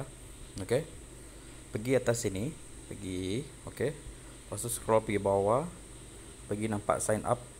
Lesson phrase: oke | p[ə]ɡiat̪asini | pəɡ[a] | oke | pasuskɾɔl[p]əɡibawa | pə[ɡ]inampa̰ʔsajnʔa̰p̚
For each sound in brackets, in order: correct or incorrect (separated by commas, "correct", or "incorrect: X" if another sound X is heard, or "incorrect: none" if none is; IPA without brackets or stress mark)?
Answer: correct, incorrect: i, correct, correct